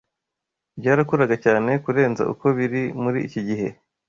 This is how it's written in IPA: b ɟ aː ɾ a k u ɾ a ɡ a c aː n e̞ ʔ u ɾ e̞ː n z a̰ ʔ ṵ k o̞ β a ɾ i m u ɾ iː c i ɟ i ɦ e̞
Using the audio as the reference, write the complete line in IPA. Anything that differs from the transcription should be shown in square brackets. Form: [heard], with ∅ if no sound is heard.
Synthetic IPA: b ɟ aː ɾ a k u ɾ a ɡ a c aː n e̞ [k] u ɾ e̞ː n z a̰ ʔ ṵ k o̞ β [i] ɾ i m u ɾ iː c i ɟ i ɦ e̞

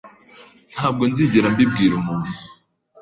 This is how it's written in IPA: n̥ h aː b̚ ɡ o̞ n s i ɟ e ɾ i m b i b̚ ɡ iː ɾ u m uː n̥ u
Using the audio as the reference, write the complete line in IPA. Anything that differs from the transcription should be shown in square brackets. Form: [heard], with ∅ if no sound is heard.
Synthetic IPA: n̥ h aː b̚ ɡ o̞ n [z] i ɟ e ɾ [a] m b i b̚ ɡ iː ɾ u m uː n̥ u

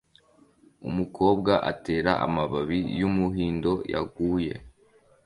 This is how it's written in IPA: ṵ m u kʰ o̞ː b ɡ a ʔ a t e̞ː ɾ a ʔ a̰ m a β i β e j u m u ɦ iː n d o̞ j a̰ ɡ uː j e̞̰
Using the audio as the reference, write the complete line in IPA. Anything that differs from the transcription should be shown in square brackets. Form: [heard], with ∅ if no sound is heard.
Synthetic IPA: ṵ m u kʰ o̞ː b ɡ a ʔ a t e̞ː ɾ a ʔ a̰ m a β [a] β [i] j u m u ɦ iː n d o̞ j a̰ ɡ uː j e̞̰

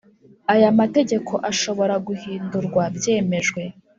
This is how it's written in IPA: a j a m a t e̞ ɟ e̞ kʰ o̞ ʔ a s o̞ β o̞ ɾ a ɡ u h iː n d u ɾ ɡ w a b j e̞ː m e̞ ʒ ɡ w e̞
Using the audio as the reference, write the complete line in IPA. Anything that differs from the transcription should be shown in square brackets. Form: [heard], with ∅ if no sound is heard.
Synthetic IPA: a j a m a t e̞ ɟ e̞ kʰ o̞ ʔ a [ʃ] o̞ β o̞ ɾ a ɡ u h iː n d u ɾ ɡ w a b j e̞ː m e̞ ʒ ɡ w e̞

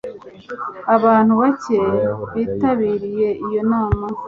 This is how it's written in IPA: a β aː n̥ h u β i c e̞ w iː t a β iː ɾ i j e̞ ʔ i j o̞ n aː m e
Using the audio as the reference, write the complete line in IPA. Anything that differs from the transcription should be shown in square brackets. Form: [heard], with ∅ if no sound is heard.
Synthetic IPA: a β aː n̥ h u β [a] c e̞ [β] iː t a β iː ɾ i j e̞ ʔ i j o̞ n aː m [a]

